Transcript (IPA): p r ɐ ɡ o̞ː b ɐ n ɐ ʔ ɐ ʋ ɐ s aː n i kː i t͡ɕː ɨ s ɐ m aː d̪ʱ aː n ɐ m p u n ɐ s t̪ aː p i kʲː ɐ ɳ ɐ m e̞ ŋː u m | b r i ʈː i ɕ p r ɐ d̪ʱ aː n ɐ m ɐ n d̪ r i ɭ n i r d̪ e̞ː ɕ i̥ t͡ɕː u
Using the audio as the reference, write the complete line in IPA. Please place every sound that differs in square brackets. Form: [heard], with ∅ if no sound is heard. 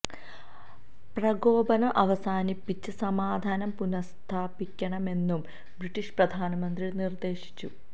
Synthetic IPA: p r ɐ ɡ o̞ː b ɐ n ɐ ʔ ɐ ʋ ɐ s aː n i [pː] i t͡ɕː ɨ s ɐ m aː d̪ʱ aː n ɐ m p u n ɐ s [t̪ʰ] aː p i kʲː ɐ ɳ ɐ m e̞ [nː] u m | b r i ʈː i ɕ p r ɐ d̪ʱ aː n ɐ m ɐ n d̪ r i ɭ n i r d̪ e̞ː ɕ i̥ t͡ɕː u